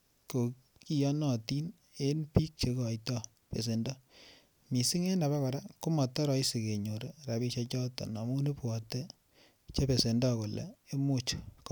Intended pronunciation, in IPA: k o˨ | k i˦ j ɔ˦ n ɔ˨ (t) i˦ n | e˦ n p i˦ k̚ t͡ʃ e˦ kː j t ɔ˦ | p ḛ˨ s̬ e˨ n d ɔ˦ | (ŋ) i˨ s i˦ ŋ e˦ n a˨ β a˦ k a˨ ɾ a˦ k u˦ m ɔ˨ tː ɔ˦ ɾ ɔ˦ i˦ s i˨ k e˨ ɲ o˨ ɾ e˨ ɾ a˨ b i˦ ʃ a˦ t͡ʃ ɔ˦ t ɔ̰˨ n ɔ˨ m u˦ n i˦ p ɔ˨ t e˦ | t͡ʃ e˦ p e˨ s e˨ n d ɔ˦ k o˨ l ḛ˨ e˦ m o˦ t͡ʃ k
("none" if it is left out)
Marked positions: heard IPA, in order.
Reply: t, m

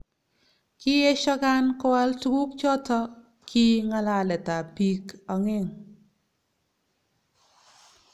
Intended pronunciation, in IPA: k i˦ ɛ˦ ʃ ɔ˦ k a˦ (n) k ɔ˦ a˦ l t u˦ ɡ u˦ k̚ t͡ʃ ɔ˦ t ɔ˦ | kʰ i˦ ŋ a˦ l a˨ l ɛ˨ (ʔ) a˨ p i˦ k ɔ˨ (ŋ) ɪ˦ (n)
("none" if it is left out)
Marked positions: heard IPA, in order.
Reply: n, t, ŋ, ŋ

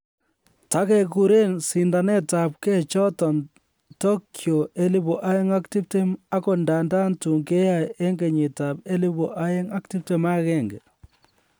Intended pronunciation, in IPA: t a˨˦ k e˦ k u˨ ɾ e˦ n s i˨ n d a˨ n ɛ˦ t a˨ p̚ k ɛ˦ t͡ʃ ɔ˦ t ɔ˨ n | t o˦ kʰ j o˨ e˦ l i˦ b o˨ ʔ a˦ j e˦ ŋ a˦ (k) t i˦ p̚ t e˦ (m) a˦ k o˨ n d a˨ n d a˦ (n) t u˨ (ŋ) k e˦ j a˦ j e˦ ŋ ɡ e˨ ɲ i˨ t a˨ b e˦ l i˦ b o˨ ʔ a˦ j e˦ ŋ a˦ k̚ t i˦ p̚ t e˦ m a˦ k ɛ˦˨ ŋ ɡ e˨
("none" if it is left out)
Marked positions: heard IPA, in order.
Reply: k, m, n, ŋ

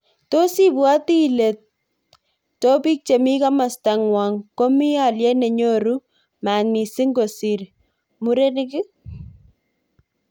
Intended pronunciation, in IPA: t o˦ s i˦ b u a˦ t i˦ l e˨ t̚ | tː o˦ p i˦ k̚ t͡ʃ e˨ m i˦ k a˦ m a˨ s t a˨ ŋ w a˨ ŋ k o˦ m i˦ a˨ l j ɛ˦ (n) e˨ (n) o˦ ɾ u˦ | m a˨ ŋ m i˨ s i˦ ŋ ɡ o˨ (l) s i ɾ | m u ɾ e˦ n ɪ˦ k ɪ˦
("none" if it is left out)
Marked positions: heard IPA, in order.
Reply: n, ɲ, none

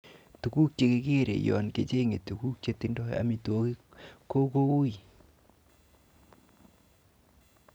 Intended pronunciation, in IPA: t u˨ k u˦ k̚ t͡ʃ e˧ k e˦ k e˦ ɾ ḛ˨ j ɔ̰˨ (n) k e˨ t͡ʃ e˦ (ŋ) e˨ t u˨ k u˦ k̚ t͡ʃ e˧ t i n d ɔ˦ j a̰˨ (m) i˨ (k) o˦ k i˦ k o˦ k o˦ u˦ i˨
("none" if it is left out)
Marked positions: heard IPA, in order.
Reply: n, ŋ, m, t

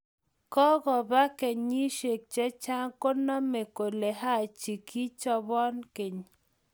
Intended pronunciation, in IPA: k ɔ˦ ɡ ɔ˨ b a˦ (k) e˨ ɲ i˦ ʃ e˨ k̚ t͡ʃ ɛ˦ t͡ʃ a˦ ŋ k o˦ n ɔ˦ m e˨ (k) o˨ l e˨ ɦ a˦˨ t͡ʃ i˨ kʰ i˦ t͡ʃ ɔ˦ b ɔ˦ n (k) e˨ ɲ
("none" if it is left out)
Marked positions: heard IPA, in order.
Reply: k, k, k

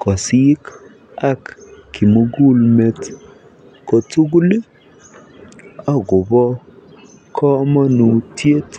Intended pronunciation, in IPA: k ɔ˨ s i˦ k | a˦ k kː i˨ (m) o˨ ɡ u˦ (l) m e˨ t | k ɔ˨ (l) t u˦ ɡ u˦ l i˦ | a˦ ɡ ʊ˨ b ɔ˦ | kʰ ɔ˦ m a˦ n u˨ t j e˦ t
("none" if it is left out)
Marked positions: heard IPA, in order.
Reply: m, l, none

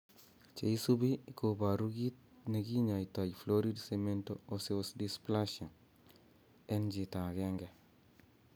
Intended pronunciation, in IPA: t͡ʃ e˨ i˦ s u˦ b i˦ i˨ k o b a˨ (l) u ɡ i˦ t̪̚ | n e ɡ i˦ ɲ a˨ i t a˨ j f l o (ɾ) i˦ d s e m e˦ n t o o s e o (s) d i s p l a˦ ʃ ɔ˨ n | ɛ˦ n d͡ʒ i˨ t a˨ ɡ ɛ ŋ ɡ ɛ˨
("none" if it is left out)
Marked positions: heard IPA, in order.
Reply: ɾ, ɾ, s

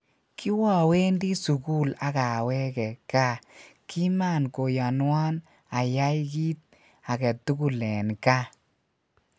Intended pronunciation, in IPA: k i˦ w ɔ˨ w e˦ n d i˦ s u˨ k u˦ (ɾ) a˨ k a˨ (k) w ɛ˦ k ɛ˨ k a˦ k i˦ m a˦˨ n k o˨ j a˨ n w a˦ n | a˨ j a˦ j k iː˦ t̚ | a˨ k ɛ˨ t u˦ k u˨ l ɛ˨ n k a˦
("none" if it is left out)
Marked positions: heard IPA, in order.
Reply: l, none

